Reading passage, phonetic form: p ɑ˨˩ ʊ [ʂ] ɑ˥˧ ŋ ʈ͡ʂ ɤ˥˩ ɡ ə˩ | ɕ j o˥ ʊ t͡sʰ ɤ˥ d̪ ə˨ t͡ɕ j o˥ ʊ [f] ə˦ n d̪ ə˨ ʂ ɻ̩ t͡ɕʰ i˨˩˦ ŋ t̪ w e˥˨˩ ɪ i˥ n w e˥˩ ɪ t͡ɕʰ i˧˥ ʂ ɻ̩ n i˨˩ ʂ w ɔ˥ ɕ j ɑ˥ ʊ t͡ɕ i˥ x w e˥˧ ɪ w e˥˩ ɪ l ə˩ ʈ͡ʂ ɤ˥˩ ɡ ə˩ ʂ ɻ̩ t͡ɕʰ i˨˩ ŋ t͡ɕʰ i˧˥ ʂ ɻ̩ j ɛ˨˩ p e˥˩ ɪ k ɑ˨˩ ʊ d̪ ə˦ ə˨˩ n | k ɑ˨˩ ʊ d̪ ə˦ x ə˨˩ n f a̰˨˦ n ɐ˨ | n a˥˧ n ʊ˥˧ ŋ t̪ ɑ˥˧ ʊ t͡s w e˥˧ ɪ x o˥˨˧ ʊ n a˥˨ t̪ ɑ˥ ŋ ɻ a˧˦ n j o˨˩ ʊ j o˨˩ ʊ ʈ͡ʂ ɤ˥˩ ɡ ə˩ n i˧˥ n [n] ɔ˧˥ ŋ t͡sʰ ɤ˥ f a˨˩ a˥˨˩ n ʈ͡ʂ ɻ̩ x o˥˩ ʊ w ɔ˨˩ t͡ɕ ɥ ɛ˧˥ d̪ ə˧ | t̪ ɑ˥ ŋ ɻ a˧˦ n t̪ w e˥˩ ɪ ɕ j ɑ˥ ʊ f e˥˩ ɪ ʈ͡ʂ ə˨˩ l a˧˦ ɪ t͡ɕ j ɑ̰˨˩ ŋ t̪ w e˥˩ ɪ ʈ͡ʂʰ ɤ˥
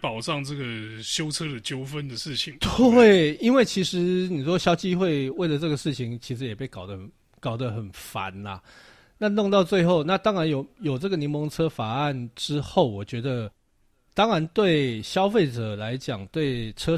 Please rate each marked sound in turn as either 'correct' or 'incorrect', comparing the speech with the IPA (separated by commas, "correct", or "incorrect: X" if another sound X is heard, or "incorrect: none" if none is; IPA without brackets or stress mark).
incorrect: ʈ͡ʂ, correct, incorrect: m